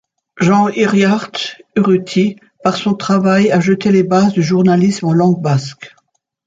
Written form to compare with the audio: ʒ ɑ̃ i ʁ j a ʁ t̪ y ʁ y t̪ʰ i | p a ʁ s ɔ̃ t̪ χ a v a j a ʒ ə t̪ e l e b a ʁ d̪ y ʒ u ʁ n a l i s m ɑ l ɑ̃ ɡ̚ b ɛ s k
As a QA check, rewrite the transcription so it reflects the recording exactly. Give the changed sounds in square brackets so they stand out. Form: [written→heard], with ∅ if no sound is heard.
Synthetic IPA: ʒ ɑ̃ i ʁ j a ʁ t̪ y ʁ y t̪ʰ i | p a ʁ s ɔ̃ t̪ χ a v a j a ʒ ə t̪ e l e b a [ʁ→z] d̪ y ʒ u ʁ n a l i s m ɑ l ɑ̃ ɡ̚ b [ɛ→a] s k